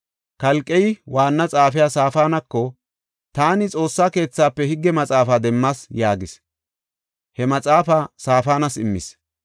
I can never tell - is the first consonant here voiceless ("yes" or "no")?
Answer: yes